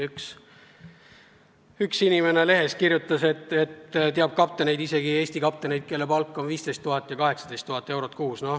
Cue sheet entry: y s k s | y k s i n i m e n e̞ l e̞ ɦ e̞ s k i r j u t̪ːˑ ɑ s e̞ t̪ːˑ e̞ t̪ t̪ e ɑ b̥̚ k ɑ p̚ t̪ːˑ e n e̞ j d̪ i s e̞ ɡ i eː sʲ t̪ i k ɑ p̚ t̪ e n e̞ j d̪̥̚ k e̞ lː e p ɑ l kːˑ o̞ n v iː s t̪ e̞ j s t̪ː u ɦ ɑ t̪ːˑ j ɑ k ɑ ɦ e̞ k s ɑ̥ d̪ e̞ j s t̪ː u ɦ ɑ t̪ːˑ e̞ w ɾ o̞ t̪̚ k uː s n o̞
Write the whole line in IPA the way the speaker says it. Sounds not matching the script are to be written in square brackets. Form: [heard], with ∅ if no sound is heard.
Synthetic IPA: y [∅] k s | y k s i n i m e n e̞ l e̞ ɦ e̞ s k i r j u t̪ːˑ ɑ s e̞ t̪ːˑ e̞ t̪ t̪ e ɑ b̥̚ k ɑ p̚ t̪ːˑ e n e̞ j d̪ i s e̞ ɡ i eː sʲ t̪ i k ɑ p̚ t̪ e n e̞ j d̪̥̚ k e̞ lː e p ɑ l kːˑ o̞ n v iː s t̪ e̞ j s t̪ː u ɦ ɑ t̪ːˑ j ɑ k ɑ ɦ e̞ k s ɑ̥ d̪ e̞ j s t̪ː u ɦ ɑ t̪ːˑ e̞ w ɾ o̞ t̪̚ k uː s n o̞

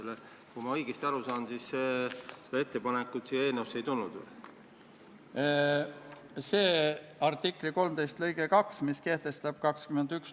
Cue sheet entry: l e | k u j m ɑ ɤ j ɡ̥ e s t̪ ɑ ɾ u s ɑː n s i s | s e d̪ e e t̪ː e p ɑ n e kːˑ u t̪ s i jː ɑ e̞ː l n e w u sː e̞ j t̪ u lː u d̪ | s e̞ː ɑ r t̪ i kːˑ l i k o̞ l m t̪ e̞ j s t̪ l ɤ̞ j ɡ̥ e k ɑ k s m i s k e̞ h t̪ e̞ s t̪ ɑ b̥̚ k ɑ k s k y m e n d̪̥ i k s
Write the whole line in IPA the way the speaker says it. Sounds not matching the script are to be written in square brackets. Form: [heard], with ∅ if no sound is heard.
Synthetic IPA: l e | k u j m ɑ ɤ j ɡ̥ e s t̪ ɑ ɾ u s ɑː n s i s | s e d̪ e e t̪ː e p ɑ n e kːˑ u t̪ s i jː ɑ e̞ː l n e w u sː e̞ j t̪ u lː u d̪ | s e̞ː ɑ r t̪ i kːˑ l i k o̞ l m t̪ e̞ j s t̪ l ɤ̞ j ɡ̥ e k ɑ k s m i s k e̞ h t̪ e̞ s t̪ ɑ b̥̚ k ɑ k s k y m e n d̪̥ [y] k s

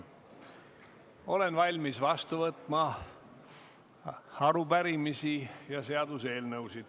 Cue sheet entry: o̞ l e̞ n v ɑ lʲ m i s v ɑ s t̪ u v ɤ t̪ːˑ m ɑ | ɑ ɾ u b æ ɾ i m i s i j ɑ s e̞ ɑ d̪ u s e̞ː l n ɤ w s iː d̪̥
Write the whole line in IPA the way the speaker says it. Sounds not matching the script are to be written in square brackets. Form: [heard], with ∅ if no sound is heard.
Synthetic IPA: o̞ l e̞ n v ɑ lʲ m i s v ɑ s t̪ u v ɤ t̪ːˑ m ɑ | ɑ ɾ u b æ ɾ i m i s i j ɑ s e̞ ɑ d̪ u s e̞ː l n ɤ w s [i] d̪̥

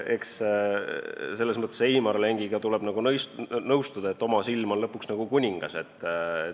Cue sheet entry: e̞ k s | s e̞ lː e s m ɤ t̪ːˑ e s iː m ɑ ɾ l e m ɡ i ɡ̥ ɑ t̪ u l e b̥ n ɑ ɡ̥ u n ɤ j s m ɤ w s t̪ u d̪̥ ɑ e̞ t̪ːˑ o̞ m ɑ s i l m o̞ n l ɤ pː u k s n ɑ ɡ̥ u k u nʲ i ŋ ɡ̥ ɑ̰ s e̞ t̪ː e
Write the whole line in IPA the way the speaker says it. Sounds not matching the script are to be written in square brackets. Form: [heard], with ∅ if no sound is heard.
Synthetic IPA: e̞ k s | s e̞ lː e s m ɤ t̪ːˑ e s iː m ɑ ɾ l e [ŋ] ɡ i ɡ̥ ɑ t̪ u l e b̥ n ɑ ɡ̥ u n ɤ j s [n] ɤ w s t̪ u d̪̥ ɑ e̞ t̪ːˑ o̞ m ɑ s i l m o̞ n l ɤ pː u k s n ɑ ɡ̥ u k u nʲ i ŋ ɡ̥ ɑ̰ s e̞ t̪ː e

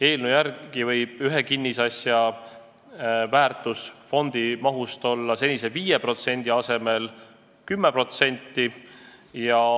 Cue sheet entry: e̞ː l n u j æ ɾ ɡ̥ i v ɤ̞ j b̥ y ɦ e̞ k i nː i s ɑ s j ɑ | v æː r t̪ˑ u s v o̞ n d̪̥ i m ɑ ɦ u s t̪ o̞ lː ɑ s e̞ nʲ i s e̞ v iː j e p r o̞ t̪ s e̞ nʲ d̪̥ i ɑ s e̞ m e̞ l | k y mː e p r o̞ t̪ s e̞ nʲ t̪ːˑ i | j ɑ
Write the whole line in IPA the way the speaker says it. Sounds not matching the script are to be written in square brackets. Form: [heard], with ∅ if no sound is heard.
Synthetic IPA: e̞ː l n u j æ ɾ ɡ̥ i v ɤ̞ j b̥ y ɦ e̞ k i nː i s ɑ s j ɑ | v æː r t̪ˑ u s [f] o̞ n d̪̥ i m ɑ ɦ u s t̪ o̞ lː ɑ s e̞ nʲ i s e̞ v iː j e p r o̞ t̪ s e̞ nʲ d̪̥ i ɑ s e̞ m e̞ l | k y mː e p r o̞ t̪ s e̞ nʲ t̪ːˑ i | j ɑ

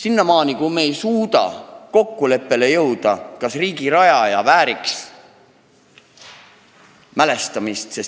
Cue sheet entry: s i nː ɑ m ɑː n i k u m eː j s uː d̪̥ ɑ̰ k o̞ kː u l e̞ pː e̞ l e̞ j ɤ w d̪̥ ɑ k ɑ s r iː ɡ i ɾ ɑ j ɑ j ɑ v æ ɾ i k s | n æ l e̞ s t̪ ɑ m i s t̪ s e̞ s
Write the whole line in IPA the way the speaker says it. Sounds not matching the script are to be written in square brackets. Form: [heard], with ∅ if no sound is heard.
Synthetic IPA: s i nː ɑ m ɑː n i k u m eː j s uː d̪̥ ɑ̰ k o̞ kː u l e̞ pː e̞ l e̞ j ɤ w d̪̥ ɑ k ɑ s r iː ɡ i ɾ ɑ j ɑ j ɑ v [æː] ɾ i k s | [m] æ l e̞ s t̪ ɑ m i s t̪ s e̞ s

